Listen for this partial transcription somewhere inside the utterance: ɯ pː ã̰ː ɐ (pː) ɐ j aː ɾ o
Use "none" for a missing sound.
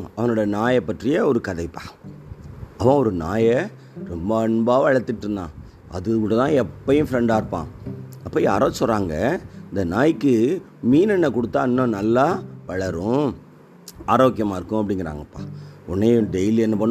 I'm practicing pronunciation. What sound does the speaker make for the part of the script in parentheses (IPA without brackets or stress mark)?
pː